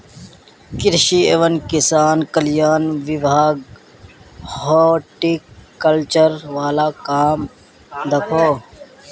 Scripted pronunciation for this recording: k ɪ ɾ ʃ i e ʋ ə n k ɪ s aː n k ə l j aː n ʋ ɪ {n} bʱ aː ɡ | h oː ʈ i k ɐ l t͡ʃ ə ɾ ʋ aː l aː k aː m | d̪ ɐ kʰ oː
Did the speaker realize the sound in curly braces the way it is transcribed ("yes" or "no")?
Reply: no